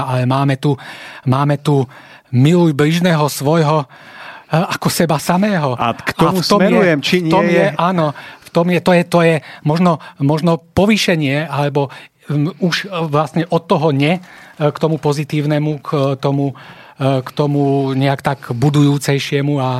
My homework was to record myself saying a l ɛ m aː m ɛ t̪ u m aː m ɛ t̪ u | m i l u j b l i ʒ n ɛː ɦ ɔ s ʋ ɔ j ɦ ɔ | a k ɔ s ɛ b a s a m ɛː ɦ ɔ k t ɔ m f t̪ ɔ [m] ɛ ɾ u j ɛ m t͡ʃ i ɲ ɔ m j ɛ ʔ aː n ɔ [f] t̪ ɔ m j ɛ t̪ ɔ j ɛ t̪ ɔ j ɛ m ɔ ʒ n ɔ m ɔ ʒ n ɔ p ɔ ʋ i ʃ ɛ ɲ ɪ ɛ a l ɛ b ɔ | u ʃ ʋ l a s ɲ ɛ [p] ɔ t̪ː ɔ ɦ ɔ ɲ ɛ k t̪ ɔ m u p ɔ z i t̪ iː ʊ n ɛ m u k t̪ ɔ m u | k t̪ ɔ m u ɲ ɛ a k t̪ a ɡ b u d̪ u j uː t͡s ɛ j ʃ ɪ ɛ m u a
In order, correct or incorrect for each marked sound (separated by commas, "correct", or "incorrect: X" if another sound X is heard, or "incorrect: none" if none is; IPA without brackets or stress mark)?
correct, correct, incorrect: ʔ